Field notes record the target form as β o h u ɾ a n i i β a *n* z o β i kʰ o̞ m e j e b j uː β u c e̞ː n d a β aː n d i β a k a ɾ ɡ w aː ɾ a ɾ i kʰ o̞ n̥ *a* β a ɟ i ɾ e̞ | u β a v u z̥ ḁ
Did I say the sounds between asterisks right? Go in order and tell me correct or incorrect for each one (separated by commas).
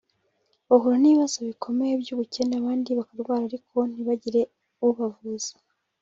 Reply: incorrect, incorrect